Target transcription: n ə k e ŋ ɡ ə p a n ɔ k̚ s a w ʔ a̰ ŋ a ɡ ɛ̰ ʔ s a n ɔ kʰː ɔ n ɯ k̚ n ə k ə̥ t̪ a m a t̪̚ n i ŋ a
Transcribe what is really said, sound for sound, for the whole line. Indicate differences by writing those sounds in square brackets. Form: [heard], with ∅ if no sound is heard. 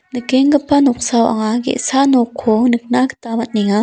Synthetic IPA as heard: n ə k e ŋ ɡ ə p a n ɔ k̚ s a w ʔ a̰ ŋ a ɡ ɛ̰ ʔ s a n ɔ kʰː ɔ n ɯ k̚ n [a] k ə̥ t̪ a m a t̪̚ n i ŋ a